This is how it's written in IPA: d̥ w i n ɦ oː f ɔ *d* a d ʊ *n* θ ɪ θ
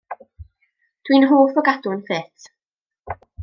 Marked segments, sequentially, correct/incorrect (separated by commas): incorrect, correct